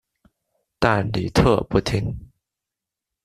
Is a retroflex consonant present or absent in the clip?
absent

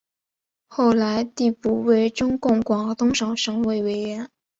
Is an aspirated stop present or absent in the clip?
absent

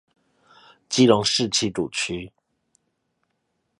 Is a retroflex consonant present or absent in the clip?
present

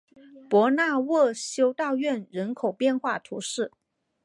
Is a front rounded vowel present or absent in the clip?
absent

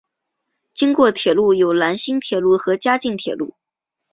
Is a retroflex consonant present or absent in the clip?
absent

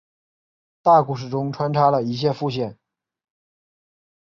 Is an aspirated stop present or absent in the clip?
present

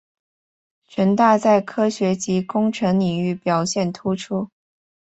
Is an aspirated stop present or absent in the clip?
present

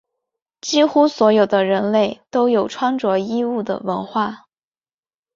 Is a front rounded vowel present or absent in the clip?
absent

